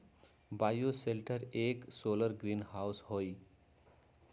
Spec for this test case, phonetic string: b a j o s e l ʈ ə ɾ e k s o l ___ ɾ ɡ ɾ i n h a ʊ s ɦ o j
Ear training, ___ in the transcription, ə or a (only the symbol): ə